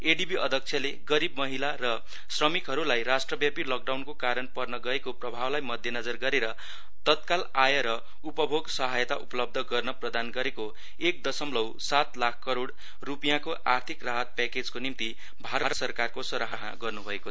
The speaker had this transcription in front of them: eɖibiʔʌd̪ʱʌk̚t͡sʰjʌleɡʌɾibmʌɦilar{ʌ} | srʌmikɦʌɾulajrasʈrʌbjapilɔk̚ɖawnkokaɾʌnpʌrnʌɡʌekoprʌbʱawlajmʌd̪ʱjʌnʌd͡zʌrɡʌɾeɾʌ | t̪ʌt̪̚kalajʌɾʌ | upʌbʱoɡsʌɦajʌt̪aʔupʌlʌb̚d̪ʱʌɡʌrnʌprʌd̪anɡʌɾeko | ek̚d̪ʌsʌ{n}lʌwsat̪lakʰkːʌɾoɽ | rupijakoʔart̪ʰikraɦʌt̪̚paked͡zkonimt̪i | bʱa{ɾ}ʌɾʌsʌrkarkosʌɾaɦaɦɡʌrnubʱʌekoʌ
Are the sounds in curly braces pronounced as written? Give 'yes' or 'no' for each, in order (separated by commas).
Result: yes, no, yes